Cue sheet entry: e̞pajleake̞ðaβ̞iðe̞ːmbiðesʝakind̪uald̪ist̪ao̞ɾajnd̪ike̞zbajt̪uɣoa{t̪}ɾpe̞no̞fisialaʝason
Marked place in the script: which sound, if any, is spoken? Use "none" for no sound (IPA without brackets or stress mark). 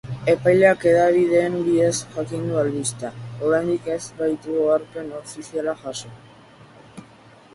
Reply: none